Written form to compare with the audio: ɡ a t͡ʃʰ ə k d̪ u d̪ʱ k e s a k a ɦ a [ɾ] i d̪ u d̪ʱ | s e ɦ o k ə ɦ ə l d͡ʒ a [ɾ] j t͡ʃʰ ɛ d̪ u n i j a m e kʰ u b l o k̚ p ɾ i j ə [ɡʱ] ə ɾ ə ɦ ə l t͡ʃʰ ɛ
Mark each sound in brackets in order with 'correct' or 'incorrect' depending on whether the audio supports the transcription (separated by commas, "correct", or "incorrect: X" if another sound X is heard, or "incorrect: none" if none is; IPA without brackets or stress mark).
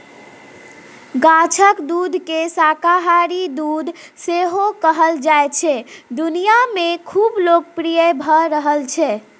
correct, incorrect: none, incorrect: bʱ